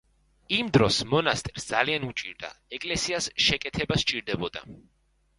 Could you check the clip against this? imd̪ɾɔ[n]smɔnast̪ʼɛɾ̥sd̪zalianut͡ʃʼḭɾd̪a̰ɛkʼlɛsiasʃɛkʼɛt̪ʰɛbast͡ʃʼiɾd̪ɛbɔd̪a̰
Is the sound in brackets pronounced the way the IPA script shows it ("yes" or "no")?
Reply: no